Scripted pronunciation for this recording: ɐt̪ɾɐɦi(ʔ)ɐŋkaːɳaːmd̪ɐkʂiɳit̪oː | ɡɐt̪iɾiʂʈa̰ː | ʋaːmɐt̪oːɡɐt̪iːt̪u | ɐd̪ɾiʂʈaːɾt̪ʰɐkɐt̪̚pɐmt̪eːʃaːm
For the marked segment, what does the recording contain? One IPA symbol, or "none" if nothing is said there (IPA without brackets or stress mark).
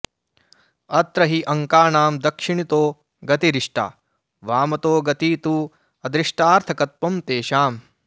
ʔ